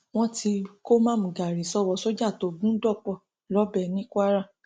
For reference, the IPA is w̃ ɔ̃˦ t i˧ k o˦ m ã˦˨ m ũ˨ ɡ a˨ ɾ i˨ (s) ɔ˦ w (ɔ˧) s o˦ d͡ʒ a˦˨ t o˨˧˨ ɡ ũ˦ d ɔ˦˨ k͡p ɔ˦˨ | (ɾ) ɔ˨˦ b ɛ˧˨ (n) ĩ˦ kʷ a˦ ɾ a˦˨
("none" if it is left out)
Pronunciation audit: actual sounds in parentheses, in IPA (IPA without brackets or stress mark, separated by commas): s, ɔ˧, l, n